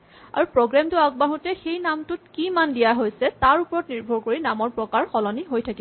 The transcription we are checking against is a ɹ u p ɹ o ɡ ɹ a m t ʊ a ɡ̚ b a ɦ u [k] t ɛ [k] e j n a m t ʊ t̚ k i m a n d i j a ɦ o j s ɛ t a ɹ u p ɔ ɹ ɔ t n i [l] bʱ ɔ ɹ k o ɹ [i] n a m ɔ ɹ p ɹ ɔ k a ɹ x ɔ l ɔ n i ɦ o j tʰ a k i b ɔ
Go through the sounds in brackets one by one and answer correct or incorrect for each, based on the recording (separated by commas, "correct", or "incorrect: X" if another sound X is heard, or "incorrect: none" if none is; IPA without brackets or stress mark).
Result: incorrect: none, incorrect: x, incorrect: ɹ, correct